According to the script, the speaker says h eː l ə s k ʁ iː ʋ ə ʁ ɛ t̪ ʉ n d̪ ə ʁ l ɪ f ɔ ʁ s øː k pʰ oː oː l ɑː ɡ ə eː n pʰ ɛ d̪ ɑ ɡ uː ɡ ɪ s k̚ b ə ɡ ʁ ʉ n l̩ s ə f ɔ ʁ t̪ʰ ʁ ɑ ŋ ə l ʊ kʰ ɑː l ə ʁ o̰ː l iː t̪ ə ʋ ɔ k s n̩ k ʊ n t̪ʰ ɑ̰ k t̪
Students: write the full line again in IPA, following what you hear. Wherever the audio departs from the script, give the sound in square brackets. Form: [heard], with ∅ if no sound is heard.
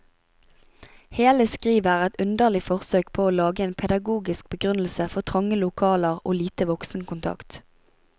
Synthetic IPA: h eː l ə s k ʁ iː ʋ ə ʁ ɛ t̪ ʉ n d̪ ə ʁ l ɪ f ɔ ʁ s øː k pʰ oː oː l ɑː ɡ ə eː n pʰ ɛ d̪ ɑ ɡ uː ɡ ɪ s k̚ b ə ɡ ʁ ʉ n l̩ s ə f ɔ ʁ t̪ʰ ʁ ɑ ŋ ə l ʊ kʰ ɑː l ə ʁ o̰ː l iː t̪ ə ʋ ɔ k s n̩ k ʊ n t̪ʰ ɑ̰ k t̪